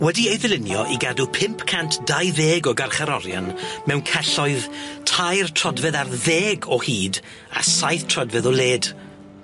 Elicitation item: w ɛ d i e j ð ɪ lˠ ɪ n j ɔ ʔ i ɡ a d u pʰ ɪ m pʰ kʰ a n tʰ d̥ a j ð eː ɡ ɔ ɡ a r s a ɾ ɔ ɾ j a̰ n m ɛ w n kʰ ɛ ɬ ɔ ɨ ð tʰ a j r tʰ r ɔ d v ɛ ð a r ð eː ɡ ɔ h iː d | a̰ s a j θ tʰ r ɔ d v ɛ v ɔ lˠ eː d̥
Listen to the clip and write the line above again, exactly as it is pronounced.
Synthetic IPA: w ɛ d i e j ð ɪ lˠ ɪ n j ɔ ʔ i ɡ a d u pʰ ɪ m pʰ kʰ a n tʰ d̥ a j ð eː ɡ ɔ ɡ a r χ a ɾ ɔ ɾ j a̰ n m ɛ w n kʰ ɛ ɬ ɔ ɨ ð tʰ a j r tʰ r ɔ d v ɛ ð a r ð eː ɡ ɔ h iː d | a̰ s a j θ tʰ r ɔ d v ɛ ð ɔ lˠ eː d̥